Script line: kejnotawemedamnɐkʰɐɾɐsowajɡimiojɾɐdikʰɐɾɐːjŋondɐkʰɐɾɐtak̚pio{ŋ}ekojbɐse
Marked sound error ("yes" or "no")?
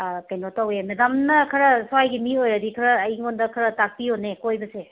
yes